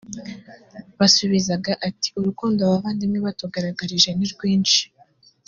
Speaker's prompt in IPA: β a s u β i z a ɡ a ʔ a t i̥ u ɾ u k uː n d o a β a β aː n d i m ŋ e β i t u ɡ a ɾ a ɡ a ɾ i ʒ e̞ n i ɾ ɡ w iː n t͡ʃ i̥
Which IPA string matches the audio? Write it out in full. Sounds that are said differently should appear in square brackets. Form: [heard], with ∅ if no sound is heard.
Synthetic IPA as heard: β a s u β i z a ɡ a ʔ a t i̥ u ɾ u k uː n d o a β a β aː n d i m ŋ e β [a] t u ɡ a ɾ a ɡ a ɾ i ʒ e̞ n i ɾ ɡ w iː n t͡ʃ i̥